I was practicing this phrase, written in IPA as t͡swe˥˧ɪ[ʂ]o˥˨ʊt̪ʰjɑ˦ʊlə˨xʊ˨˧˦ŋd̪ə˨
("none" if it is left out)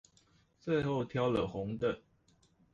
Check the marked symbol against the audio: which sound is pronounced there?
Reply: x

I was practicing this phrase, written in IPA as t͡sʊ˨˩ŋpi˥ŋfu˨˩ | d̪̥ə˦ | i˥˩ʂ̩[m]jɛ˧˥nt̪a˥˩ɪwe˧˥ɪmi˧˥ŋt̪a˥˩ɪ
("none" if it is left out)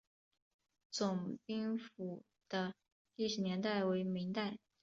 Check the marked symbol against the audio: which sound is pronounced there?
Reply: n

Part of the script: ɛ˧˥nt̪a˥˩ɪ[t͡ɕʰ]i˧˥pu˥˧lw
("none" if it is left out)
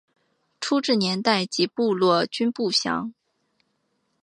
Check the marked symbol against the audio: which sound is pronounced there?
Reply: t͡ɕ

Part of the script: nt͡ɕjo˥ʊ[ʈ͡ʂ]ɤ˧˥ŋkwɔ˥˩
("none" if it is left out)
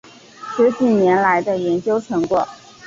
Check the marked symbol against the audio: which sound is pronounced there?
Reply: ʈ͡ʂʰ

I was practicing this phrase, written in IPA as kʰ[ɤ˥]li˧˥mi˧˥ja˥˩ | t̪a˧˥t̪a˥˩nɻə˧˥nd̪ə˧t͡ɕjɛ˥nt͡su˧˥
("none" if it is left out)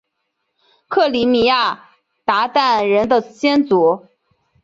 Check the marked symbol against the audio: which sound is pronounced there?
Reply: ɤ˥˩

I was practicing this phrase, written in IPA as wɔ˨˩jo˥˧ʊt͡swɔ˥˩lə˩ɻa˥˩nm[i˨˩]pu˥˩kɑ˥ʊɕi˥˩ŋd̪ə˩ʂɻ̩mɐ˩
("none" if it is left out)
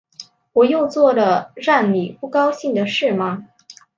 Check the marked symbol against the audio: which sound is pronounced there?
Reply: i˨˩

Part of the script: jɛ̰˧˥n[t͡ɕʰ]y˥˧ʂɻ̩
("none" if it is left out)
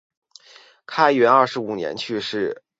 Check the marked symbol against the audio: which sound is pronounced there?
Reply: t͡ɕʰ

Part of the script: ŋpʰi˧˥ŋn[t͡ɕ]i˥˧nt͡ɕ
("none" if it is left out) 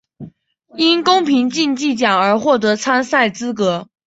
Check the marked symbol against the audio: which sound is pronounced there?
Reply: t͡ɕ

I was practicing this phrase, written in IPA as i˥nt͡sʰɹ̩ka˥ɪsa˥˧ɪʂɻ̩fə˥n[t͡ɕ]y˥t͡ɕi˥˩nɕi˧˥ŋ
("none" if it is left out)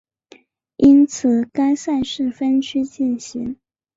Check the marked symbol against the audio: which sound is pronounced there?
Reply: t͡ɕʰ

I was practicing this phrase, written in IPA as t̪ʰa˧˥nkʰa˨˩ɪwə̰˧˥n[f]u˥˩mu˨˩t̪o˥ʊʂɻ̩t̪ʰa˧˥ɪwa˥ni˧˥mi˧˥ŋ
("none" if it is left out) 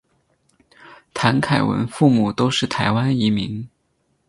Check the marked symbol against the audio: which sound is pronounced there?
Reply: f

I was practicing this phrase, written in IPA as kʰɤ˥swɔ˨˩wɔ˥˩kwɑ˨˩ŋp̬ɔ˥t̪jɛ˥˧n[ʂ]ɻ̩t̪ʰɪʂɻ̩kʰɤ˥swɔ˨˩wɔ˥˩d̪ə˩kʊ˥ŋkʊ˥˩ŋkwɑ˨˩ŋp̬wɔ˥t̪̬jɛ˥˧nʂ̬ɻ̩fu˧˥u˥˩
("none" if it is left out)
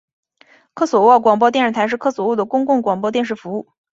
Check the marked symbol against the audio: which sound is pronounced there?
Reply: ʂ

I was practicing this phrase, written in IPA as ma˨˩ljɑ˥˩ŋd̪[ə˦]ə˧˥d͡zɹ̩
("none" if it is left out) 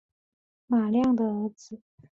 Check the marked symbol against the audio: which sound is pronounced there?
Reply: ə˩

